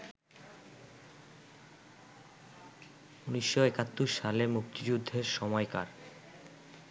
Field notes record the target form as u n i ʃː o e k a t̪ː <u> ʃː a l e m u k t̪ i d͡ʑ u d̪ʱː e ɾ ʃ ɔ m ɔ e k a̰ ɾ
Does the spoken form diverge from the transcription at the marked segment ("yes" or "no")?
no